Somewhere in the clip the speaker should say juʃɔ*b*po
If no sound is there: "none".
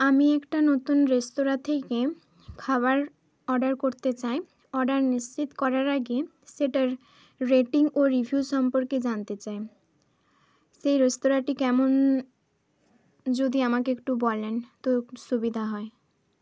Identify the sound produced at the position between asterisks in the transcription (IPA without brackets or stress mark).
m